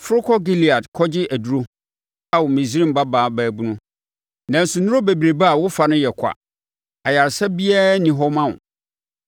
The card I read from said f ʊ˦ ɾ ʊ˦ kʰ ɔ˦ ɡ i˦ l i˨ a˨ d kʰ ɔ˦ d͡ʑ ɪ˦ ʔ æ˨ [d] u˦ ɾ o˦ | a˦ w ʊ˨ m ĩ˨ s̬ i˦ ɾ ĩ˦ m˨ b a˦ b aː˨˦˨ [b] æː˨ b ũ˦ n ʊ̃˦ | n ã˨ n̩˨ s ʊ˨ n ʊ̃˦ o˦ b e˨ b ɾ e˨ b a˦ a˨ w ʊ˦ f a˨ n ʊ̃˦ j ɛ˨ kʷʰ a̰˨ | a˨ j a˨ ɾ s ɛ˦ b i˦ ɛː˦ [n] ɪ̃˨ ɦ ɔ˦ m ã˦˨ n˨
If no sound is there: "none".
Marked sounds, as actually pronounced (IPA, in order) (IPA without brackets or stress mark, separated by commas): d, b, n